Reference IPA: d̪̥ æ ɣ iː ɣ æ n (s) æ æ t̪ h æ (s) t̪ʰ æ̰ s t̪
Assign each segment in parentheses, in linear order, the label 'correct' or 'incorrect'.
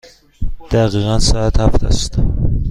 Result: correct, incorrect: f

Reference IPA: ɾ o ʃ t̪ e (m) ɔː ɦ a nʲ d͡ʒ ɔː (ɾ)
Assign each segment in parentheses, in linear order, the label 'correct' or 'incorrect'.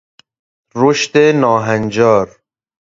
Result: incorrect: n, correct

